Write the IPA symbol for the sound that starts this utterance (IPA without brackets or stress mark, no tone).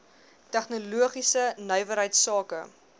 t